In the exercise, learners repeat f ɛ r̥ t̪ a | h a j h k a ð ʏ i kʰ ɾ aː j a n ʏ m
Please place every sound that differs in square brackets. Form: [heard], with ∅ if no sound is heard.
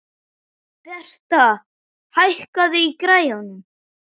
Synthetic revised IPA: [θ] ɛ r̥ t̪ a | h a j h k a ð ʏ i [k] ɾ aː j a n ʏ m